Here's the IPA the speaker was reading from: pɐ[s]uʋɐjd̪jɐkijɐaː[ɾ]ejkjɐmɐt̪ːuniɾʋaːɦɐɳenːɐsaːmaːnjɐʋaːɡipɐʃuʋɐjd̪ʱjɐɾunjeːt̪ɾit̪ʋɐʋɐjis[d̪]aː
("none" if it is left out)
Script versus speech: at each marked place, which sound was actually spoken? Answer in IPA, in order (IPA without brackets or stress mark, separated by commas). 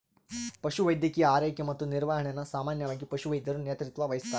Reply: ʃ, ɾ, t̪